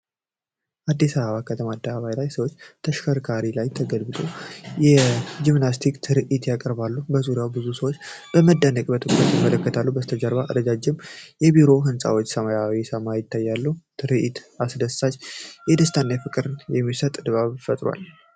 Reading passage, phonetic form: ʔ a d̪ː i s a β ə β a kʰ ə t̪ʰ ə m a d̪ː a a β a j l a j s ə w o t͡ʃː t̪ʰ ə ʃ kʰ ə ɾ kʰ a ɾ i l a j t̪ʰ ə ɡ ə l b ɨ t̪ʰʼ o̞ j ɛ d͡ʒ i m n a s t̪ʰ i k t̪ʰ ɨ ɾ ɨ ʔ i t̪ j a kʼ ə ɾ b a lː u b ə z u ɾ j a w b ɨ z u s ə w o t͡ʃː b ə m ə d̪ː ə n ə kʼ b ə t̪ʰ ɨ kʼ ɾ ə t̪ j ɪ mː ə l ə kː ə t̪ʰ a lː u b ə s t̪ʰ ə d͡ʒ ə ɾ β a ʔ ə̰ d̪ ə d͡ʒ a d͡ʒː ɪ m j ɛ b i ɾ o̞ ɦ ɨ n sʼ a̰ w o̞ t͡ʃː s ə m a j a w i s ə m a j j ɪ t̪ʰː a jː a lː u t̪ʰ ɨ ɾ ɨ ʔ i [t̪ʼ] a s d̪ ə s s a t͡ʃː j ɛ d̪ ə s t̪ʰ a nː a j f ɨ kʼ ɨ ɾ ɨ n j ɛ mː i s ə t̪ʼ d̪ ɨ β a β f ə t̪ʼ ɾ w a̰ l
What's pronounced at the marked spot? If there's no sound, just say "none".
t̪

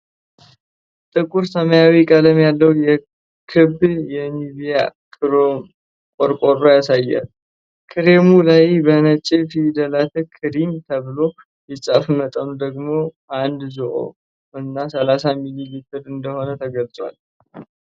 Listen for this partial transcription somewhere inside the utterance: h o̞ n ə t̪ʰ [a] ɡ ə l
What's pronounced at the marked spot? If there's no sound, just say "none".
ə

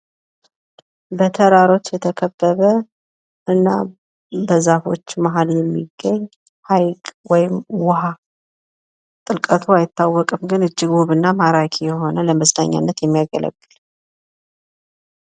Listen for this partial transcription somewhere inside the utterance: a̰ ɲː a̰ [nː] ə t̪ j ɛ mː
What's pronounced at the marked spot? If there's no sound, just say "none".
nː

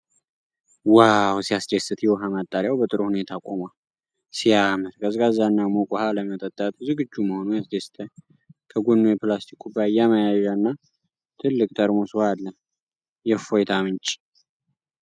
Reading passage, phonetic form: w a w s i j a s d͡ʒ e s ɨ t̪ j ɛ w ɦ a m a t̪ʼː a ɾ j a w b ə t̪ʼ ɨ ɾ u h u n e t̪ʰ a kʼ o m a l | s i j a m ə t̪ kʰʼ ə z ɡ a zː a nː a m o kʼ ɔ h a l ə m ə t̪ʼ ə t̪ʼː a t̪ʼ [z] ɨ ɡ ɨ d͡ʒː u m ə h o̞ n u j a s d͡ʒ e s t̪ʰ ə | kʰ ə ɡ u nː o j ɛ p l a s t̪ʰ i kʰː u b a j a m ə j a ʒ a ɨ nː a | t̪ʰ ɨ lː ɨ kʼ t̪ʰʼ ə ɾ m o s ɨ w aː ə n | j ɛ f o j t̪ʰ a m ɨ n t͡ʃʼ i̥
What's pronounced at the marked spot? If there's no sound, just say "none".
z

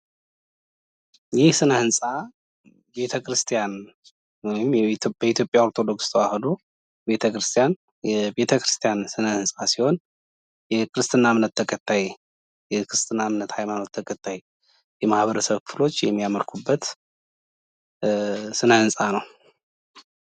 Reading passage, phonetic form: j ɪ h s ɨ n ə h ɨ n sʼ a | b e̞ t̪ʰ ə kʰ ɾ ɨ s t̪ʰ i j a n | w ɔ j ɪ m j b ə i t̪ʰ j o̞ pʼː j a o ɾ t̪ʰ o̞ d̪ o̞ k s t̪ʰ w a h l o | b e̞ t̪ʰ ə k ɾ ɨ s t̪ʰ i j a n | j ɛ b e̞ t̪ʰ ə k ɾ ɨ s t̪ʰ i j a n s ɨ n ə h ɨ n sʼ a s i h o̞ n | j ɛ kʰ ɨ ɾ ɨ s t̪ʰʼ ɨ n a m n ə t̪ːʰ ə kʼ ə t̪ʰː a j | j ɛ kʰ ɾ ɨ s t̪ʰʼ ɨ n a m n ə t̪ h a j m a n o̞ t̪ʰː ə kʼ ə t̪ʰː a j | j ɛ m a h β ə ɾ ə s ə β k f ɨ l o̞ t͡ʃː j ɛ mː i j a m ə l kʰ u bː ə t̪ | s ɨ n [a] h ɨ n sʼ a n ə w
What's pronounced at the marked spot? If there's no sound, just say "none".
ə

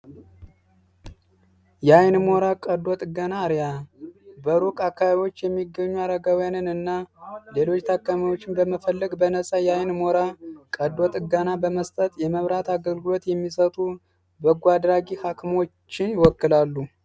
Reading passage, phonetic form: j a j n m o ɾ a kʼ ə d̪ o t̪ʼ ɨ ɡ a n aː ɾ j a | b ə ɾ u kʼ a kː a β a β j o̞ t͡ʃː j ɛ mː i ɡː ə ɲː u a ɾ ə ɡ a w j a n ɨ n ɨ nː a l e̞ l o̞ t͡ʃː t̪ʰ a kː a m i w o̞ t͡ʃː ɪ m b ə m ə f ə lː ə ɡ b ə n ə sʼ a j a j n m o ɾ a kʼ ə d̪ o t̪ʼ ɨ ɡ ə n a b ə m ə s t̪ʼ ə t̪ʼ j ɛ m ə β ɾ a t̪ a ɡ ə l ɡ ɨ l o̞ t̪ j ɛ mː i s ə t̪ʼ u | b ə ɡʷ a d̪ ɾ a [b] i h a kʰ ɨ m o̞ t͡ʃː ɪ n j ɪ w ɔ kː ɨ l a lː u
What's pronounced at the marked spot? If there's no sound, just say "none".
ɡ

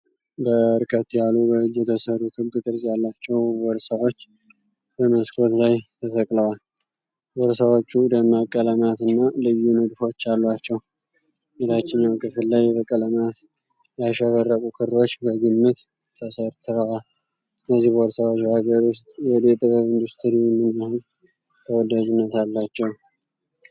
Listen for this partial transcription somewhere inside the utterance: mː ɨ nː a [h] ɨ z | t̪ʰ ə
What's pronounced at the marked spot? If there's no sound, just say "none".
h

